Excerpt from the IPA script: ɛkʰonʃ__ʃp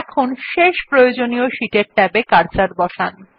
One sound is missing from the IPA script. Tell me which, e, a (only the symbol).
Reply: e